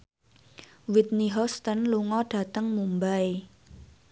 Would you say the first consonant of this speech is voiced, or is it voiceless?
voiced